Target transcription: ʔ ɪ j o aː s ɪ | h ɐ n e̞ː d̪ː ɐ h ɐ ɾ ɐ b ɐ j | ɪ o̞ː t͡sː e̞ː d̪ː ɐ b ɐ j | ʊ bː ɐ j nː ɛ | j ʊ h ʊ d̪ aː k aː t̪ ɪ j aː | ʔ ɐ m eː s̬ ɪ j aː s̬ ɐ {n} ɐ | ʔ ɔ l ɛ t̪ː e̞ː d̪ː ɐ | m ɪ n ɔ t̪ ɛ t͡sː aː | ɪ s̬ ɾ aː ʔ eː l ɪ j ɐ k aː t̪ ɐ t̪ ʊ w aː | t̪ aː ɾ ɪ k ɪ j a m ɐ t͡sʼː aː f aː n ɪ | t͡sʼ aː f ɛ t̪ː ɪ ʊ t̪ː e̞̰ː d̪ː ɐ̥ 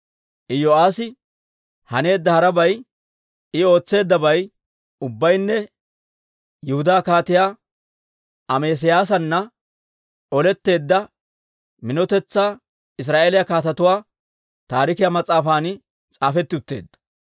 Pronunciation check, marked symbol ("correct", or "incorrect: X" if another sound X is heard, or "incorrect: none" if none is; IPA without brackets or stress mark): incorrect: nː